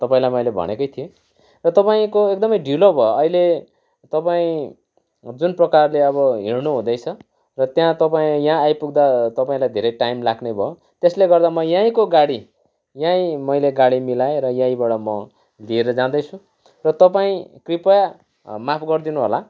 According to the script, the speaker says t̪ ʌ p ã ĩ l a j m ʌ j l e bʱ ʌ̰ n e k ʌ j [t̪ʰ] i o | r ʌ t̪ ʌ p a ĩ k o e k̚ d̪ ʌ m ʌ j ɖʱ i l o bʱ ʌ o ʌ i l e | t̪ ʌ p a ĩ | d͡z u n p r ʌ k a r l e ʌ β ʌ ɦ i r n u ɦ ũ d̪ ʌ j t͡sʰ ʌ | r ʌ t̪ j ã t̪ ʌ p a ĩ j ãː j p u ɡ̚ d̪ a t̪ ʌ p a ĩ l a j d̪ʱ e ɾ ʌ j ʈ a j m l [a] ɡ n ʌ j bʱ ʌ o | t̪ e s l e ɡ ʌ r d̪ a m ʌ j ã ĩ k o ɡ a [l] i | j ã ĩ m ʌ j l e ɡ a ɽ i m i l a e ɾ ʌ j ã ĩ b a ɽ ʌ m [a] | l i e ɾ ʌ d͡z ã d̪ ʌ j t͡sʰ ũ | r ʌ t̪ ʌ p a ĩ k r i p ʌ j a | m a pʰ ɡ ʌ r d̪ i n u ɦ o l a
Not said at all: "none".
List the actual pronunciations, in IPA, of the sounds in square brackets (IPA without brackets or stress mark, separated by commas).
t̪ʰ, a, ɽ, ʌ